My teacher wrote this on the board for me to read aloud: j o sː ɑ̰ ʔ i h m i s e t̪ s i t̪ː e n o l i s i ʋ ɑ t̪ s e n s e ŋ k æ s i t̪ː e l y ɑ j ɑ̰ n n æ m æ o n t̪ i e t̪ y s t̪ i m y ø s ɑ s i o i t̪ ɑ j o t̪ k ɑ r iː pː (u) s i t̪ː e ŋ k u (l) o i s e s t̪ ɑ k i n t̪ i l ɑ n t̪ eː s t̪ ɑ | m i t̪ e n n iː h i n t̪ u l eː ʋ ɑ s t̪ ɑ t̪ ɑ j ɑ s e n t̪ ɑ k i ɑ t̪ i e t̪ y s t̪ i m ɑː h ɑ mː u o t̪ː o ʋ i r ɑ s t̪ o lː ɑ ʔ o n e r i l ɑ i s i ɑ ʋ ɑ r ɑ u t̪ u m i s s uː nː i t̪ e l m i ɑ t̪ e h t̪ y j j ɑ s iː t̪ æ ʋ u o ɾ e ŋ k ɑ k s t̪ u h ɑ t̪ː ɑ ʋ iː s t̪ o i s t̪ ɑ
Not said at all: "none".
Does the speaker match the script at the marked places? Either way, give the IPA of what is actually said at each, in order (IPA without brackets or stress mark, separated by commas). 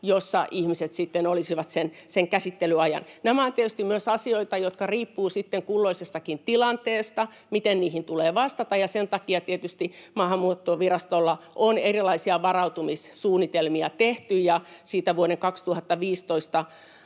uː, lː